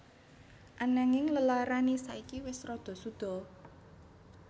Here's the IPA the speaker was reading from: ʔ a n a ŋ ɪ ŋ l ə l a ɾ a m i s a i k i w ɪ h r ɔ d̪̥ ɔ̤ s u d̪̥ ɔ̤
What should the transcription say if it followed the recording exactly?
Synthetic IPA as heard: ʔ a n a ŋ ɪ ŋ l ə l a ɾ a n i s a i k i w ɪ s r ɔ d̪̥ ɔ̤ s u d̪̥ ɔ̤